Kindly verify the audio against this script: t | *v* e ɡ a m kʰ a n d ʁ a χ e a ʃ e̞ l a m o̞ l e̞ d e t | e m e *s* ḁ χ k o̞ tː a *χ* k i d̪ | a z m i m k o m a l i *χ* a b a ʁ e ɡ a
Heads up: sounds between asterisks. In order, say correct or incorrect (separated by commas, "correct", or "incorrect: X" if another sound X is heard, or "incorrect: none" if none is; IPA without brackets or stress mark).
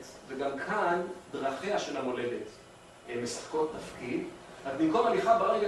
correct, correct, incorrect: f, correct